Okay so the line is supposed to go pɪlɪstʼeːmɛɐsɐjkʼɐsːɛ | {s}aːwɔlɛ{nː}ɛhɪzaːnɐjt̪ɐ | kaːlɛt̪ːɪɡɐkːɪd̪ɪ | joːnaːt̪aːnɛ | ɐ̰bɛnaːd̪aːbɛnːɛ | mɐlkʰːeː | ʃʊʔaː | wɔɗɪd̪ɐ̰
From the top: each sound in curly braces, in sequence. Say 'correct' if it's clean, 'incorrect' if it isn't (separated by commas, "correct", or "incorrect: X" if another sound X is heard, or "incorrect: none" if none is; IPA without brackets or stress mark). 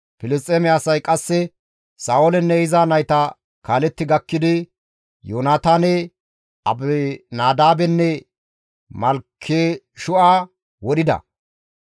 correct, correct